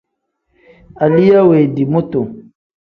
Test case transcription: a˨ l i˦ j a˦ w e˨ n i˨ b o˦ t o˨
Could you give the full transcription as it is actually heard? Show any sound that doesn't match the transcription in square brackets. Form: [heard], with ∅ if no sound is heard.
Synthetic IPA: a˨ l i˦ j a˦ w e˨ [d] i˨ [m] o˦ t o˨